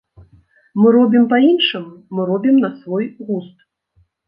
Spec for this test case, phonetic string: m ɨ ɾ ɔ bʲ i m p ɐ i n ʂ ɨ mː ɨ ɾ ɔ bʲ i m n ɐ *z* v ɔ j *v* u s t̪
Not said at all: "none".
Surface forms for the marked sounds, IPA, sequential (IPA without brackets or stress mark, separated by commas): s, ɣ